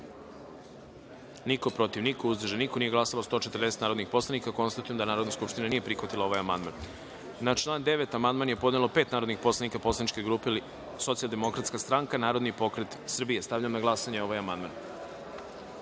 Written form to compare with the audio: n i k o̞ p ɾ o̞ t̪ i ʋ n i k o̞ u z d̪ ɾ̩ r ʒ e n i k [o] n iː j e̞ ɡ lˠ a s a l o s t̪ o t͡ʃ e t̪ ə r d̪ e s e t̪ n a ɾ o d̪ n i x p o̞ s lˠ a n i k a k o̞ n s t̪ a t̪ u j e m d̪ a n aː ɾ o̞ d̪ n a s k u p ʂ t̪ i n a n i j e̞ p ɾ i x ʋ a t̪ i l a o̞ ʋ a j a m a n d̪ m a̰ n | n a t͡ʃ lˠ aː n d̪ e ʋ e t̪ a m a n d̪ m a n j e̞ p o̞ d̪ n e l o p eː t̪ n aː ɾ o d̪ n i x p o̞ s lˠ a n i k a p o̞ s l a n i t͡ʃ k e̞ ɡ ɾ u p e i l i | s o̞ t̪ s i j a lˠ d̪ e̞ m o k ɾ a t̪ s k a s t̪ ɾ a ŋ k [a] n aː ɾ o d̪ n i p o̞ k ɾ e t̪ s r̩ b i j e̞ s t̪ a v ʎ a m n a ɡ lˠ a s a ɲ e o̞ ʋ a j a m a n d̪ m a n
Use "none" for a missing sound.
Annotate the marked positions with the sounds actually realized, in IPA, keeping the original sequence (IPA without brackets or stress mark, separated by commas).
o, a